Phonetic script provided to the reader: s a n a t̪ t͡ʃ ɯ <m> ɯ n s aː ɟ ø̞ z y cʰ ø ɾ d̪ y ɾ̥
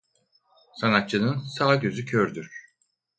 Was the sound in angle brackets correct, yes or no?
no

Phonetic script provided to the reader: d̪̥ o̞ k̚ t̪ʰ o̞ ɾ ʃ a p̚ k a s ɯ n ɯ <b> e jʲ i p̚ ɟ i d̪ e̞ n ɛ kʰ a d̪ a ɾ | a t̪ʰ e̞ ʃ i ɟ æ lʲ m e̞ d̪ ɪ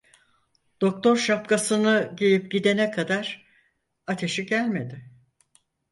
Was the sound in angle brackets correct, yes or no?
no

